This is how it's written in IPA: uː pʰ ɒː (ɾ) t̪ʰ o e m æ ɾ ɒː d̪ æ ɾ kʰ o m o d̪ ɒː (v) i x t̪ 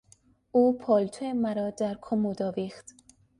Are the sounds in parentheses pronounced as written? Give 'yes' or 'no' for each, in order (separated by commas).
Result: no, yes